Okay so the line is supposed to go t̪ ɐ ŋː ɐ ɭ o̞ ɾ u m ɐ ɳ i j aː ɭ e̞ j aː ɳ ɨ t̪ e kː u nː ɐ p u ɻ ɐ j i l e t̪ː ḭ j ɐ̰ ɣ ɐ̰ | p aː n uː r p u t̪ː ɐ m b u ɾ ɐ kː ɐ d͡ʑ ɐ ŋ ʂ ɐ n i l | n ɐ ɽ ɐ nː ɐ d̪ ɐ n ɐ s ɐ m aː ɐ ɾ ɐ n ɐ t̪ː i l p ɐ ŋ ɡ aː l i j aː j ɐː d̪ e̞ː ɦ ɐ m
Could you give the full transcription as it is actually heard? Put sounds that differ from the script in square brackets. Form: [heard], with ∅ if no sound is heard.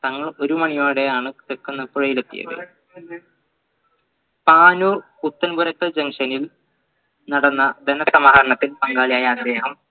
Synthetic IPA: t̪ ɐ ŋː ɐ ɭ o̞ ɾ u m ɐ ɳ i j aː [ɽ] e̞ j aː ɳ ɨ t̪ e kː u nː ɐ p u ɻ ɐ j i l e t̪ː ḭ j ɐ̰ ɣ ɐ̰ | p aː n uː r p u t̪ː ɐ [n] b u ɾ ɐ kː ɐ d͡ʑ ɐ ŋ ʂ ɐ n i l | n ɐ ɽ ɐ nː ɐ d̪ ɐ n ɐ s ɐ m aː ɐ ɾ ɐ [ɳ] ɐ t̪ː i l p ɐ ŋ ɡ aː l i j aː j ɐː d̪ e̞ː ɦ ɐ m